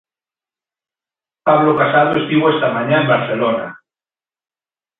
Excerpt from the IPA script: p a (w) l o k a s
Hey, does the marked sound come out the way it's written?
no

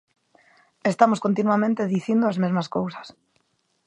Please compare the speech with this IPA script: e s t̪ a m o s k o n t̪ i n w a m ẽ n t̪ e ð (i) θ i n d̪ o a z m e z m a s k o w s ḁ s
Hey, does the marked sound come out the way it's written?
yes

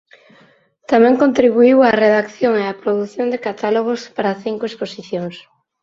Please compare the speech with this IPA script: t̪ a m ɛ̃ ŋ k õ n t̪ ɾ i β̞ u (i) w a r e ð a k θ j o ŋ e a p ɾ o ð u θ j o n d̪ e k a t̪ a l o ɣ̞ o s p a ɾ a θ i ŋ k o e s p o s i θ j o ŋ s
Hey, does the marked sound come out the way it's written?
yes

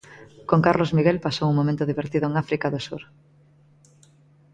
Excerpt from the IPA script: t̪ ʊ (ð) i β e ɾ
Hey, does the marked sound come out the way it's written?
yes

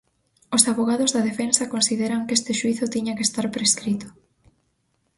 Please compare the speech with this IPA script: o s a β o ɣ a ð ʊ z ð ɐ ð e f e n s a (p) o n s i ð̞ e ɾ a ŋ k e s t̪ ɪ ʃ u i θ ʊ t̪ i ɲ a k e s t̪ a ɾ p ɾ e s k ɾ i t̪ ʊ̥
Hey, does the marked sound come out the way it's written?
no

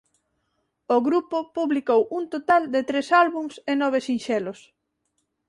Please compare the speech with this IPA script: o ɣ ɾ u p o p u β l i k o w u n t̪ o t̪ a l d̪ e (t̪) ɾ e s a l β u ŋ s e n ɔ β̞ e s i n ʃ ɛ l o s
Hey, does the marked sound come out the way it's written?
yes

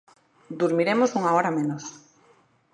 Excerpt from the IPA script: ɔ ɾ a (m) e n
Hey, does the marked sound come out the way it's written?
yes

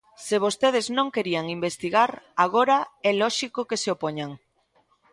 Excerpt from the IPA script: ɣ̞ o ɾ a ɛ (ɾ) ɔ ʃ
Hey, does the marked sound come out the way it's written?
no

